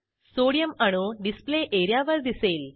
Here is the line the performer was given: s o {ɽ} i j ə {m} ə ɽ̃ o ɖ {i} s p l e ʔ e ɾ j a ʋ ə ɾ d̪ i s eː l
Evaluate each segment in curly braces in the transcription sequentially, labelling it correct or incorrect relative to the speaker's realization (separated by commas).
correct, correct, correct